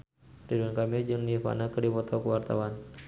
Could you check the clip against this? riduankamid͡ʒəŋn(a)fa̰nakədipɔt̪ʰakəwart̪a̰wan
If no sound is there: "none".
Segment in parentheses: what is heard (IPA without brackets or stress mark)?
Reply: i